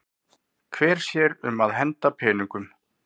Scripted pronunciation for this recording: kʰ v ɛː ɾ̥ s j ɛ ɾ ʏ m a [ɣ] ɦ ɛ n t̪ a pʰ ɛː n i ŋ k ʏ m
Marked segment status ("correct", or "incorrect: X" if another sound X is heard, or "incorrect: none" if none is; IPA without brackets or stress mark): incorrect: ð